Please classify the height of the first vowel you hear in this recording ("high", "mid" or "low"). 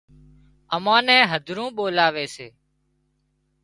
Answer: mid